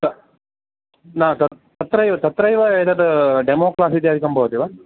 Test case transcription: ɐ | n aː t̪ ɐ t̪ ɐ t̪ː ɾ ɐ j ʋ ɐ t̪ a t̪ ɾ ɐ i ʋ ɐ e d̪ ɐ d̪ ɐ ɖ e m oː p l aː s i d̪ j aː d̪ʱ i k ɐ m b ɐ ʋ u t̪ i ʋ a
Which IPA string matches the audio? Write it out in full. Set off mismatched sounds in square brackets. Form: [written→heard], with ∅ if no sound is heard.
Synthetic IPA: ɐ | n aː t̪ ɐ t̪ ɐ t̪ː ɾ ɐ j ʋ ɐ t̪ [a→ɐ] t̪ ɾ ɐ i ʋ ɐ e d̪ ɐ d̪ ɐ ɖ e m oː [p→k] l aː s i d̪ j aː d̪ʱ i k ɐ m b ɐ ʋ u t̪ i ʋ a